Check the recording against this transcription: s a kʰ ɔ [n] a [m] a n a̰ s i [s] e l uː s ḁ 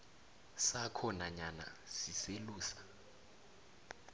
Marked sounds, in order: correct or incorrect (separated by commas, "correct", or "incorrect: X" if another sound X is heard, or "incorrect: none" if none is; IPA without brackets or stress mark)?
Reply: correct, incorrect: ɲ, correct